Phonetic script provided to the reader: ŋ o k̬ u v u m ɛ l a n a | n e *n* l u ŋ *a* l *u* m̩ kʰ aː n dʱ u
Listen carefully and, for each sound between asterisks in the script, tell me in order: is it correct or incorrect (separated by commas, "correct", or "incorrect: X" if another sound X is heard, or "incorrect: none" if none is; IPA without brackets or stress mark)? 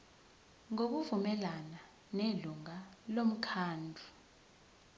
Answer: incorrect: none, correct, incorrect: o